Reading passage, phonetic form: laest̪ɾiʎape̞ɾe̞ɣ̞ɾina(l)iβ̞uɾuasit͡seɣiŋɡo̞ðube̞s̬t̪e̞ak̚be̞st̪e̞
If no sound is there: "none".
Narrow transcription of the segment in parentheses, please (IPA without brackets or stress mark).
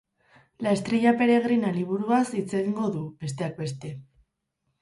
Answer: l